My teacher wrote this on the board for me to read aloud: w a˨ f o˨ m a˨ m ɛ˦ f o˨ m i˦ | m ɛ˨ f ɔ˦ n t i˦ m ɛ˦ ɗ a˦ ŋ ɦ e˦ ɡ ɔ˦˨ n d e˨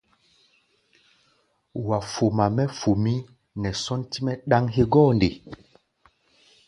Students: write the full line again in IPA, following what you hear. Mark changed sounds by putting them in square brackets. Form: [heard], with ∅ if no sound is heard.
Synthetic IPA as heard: w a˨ f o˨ m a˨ m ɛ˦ f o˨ m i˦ | [n] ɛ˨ [s] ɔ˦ n t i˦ m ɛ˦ ɗ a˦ ŋ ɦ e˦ ɡ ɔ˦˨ n d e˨